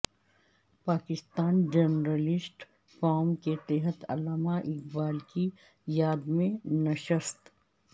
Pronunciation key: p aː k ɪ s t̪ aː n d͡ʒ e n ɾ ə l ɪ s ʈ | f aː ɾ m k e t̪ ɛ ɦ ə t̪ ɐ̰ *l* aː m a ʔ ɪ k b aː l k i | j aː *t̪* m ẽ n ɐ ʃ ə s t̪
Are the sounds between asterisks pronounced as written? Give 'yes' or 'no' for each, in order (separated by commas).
yes, no